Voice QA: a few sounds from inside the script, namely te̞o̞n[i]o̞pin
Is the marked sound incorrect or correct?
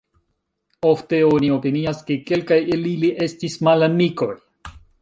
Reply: correct